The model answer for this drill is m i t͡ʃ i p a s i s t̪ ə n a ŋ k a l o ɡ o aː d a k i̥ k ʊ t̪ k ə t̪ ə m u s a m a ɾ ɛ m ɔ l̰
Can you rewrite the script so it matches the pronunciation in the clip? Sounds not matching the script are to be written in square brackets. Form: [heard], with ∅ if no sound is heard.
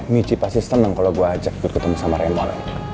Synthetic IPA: m i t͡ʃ i p a s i s t̪ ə n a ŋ k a l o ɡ [u] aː [d͡ʒ] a k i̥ k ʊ t̪ k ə t̪ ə m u s a m a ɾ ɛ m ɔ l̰